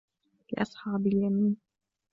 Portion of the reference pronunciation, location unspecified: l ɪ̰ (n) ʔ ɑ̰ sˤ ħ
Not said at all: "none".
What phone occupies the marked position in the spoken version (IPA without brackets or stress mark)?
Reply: none